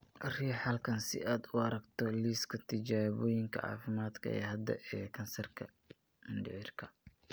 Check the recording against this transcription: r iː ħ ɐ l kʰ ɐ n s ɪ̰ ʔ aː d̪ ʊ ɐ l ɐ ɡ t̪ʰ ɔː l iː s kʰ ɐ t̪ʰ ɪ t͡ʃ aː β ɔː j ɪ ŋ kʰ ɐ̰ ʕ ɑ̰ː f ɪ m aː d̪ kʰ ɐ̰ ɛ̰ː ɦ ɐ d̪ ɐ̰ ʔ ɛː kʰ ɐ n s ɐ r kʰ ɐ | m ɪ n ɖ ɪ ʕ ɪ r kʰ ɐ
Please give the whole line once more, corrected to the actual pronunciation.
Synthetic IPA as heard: r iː ħ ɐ l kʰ ɐ n s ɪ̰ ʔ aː d̪ ʊ ɐ ɾ ɐ ɡ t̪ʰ ɔ l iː s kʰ ɐ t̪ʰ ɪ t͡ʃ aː β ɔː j ɪ ŋ kʰ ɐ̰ ʕ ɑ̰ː f ɪ m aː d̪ kʰ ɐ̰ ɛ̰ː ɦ ɐ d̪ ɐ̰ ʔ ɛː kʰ ɐ n s ɐ r kʰ ɐ | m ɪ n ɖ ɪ ʕ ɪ r kʰ ɐ